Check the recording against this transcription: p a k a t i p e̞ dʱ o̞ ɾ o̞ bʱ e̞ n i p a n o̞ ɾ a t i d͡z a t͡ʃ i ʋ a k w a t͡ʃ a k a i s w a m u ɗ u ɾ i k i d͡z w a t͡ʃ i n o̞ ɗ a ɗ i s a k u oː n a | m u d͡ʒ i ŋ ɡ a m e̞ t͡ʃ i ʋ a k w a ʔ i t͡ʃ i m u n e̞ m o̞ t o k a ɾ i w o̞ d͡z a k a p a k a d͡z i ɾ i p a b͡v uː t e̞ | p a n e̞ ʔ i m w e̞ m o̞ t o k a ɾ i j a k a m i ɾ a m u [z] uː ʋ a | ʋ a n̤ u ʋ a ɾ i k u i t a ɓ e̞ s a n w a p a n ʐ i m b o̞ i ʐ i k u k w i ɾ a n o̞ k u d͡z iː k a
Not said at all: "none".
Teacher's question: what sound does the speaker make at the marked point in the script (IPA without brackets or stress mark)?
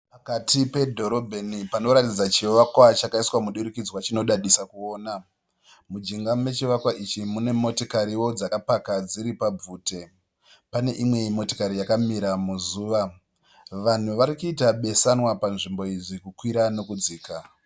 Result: z